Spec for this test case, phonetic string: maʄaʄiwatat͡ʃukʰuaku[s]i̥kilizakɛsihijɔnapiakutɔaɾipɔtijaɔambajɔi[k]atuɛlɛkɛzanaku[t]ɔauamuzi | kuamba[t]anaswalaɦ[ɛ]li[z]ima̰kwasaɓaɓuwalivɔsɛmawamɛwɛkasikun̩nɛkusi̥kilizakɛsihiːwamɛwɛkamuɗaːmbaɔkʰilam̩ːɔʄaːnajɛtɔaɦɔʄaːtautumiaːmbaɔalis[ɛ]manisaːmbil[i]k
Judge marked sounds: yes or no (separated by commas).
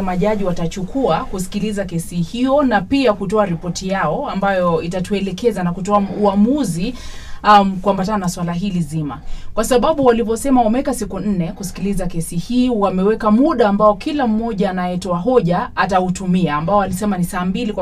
yes, no, yes, yes, no, yes, yes, yes